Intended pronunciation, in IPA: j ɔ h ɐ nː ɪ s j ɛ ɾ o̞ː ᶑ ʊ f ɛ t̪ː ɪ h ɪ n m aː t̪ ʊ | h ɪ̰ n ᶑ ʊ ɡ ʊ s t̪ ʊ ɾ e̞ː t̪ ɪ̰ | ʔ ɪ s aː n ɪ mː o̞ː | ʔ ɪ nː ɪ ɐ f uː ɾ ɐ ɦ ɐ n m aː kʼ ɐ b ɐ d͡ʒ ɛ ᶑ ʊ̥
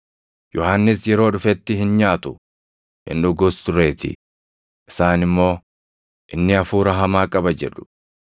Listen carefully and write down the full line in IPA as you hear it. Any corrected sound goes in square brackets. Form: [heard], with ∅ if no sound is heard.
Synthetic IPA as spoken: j ɔ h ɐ nː ɪ s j ɛ ɾ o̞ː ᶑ ʊ f ɛ t̪ː ɪ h ɪ n [ɲ] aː t̪ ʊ | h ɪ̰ n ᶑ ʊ ɡ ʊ s t̪ ʊ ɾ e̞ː t̪ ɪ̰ | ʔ ɪ s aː n ɪ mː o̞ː | ʔ ɪ nː ɪ ɐ f uː ɾ ɐ ɦ ɐ [∅] m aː kʼ ɐ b ɐ d͡ʒ ɛ ᶑ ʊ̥

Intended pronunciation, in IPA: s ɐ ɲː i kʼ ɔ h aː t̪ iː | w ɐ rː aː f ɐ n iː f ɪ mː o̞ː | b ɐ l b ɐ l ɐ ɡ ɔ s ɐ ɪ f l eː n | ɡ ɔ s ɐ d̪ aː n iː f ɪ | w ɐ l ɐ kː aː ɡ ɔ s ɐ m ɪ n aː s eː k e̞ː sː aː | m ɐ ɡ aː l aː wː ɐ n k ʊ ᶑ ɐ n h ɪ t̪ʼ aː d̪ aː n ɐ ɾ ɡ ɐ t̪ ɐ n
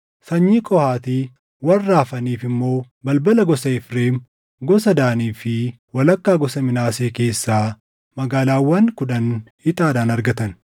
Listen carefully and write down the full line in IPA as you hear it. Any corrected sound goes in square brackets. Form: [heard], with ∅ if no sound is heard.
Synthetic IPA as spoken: s ɐ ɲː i kʼ ɔ h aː t̪ iː | w ɐ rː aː f ɐ n iː f ɪ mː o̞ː | b ɐ l b ɐ l ɐ ɡ ɔ s ɐ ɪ f [ɾ] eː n | ɡ ɔ s ɐ d̪ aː n iː f ɪ | w ɐ l ɐ kː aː ɡ ɔ s ɐ m ɪ n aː s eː k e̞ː sː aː | m ɐ ɡ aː l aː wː ɐ n k ʊ ᶑ ɐ n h ɪ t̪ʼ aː d̪ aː n ɐ ɾ ɡ ɐ t̪ ɐ n

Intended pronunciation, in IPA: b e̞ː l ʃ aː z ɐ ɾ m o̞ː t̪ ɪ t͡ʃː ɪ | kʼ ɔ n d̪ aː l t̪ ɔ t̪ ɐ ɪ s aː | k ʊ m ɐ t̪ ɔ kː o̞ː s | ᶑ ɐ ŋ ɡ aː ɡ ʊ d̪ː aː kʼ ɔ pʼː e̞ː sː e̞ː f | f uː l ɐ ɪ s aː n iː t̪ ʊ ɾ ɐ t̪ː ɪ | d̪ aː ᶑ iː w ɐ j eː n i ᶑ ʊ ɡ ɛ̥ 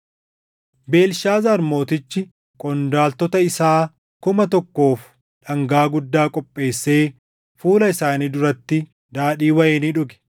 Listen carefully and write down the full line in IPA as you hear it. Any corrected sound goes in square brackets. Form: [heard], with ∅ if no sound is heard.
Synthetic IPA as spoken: b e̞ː l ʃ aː z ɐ ɾ m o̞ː t̪ ɪ t͡ʃː ɪ | kʼ ɔ n d̪ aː l t̪ ɔ t̪ ɐ ɪ s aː | k ʊ m ɐ t̪ ɔ kː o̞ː [f] | ᶑ ɐ ŋ ɡ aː ɡ ʊ d̪ː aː kʼ ɔ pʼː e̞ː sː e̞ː [∅] | f uː l ɐ ɪ s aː n iː [d̪] ʊ ɾ ɐ t̪ː ɪ | d̪ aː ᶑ iː w ɐ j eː n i ᶑ ʊ ɡ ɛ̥

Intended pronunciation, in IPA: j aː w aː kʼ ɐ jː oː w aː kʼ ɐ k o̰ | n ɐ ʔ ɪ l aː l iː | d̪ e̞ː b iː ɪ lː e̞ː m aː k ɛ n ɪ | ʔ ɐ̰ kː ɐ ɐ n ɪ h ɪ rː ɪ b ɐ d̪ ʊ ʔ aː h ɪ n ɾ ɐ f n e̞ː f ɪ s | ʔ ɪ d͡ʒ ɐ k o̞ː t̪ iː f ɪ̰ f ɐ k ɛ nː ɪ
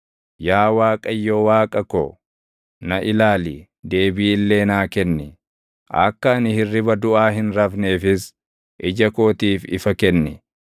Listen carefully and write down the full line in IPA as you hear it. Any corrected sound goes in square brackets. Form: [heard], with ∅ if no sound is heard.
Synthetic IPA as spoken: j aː w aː kʼ ɐ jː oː w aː kʼ ɐ k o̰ | n ɐ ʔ ɪ l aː l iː | d̪ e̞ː b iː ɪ lː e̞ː [n] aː k ɛ [nː] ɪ | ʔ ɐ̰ kː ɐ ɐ n ɪ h ɪ rː ɪ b ɐ d̪ ʊ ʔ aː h ɪ n ɾ ɐ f n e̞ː f ɪ s | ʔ ɪ d͡ʒ ɐ k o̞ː t̪ iː f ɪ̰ f ɐ k ɛ nː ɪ

